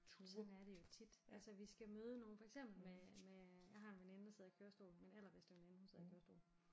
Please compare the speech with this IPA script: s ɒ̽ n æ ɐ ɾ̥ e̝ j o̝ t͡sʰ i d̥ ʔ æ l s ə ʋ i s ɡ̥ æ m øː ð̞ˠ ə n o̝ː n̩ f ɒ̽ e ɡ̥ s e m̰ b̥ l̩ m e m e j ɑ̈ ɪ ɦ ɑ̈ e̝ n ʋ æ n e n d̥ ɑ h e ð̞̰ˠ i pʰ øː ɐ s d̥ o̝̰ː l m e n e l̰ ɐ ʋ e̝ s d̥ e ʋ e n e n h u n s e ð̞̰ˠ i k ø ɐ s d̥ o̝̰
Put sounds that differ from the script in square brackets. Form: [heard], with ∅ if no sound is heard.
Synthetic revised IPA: s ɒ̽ n æ ɐ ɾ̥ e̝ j o̝ t͡sʰ i d̥ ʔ æ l s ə ʋ i s ɡ̥ æ m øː ð̞ˠ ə n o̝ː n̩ f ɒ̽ e ɡ̥ s e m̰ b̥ l̩ m e m e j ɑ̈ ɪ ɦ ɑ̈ e̝ n ʋ [e] n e n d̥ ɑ [s] e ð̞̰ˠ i [kʰ] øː ɐ s d̥ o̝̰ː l m e n e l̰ ɐ ʋ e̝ s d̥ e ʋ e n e n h u n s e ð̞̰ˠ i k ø ɐ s d̥ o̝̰